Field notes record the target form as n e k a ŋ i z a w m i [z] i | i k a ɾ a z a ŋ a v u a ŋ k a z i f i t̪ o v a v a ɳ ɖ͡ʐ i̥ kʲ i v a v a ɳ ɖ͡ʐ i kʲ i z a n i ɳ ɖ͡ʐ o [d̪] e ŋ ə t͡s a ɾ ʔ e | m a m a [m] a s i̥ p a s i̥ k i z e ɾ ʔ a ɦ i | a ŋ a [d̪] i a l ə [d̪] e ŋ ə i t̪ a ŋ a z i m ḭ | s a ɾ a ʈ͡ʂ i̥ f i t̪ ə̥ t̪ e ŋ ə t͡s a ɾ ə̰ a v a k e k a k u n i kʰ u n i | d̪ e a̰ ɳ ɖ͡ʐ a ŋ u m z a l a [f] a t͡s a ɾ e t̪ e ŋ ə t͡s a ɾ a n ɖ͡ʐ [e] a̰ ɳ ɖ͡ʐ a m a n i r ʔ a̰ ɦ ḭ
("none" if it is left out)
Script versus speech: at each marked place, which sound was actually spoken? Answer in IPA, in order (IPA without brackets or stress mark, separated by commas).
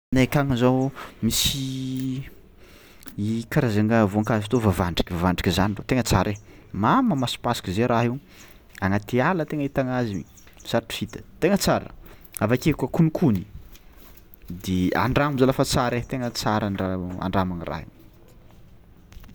s, t̪, m, t̪, t̪, f, a